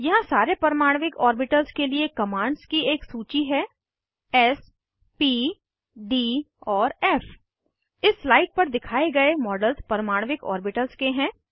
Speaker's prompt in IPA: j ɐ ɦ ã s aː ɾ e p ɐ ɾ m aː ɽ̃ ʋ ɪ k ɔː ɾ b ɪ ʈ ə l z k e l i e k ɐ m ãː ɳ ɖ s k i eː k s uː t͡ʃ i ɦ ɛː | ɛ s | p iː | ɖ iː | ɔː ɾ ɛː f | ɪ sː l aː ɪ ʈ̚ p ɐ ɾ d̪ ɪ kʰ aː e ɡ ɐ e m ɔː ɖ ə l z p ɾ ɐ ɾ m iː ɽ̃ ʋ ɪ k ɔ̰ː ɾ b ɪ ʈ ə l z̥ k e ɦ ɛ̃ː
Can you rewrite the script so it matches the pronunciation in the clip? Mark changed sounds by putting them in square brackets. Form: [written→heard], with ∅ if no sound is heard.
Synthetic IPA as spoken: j ɐ ɦ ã s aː ɾ e p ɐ ɾ m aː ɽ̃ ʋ ɪ k ɔː ɾ b ɪ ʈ ə l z k e l i e k ɐ m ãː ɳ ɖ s k i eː k s uː t͡ʃ i ɦ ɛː | ɛ s | p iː | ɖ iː | ɔː ɾ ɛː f | ɪ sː l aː ɪ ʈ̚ p ɐ ɾ d̪ ɪ kʰ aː e ɡ ɐ e m ɔː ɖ ə l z p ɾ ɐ ɾ m [iː→aː] ɽ̃ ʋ ɪ k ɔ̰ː ɾ b ɪ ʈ ə l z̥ k e ɦ ɛ̃ː